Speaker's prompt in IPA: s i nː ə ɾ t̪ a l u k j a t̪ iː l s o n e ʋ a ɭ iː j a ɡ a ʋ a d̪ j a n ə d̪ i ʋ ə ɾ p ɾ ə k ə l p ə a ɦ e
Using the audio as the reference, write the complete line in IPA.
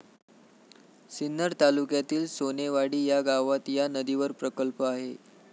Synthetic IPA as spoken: s i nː ə ɾ t̪ a l u k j a t̪ iː l s o n e ʋ a ɽ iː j a ɡ a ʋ a t̪ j a n ə d̪ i ʋ ə ɾ p ɾ ə k ə l p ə a ɦ e